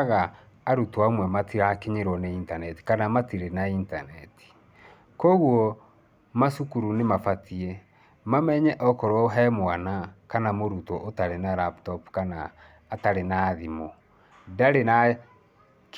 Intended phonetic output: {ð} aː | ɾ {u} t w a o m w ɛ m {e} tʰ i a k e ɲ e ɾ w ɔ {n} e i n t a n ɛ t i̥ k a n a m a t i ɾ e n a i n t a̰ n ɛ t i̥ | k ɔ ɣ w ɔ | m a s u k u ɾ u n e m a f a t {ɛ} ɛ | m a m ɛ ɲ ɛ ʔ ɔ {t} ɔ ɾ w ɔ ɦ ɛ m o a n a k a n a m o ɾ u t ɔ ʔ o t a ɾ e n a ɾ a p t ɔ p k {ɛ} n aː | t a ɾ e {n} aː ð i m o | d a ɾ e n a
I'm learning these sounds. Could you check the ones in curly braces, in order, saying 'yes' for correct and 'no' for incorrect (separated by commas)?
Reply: no, yes, no, yes, no, no, no, yes